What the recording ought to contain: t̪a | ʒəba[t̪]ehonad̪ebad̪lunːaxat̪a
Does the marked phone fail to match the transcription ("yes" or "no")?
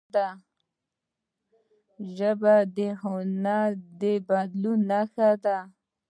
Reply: yes